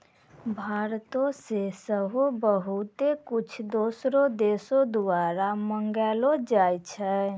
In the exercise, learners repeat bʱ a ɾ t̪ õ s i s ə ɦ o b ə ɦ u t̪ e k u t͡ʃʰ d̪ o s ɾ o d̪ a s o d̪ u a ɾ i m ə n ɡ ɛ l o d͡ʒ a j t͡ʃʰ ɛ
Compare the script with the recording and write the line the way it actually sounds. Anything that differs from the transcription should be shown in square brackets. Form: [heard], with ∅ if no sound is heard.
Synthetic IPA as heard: bʱ a ɾ t̪ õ s [e] s ə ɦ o b ə ɦ u t̪ e k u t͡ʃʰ d̪ o s ɾ o d̪ [e] s o d̪ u a ɾ [a] m ə [ŋ] ɡ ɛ l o d͡ʒ a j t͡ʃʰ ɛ